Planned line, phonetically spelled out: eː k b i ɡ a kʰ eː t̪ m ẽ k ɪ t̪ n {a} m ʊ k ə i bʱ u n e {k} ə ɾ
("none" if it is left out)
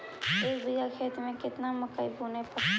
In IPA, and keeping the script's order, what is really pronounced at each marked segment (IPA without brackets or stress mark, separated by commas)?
a, p